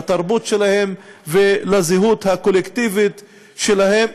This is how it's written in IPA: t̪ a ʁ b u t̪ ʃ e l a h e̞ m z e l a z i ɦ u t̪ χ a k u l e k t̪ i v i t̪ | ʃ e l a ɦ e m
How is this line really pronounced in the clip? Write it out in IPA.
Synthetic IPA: t̪ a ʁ b u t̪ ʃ e l a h e̞ m v e l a z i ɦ u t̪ h a k o l e k t̪ i v i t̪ | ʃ e l a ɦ e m